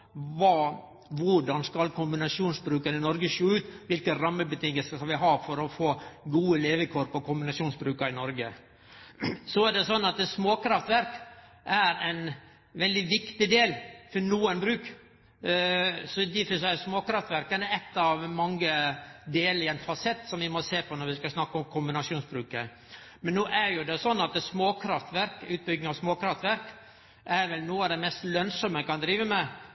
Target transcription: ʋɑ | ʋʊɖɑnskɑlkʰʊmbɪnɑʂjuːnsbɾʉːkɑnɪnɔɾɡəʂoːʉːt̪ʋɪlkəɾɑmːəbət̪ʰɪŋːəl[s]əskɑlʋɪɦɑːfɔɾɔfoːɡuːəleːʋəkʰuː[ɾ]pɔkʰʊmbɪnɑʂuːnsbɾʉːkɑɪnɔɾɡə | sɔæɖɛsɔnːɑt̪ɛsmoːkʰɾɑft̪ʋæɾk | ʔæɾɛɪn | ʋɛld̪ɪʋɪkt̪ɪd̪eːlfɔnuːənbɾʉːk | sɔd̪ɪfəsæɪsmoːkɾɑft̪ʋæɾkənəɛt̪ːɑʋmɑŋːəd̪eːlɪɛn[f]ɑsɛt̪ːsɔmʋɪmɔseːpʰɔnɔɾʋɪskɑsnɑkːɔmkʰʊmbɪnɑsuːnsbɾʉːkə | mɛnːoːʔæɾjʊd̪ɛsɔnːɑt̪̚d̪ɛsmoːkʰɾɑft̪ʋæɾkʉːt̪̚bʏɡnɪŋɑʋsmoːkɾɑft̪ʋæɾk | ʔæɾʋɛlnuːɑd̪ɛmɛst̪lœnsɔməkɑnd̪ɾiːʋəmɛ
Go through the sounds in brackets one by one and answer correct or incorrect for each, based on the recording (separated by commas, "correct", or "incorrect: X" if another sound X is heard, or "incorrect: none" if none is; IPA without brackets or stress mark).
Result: correct, correct, correct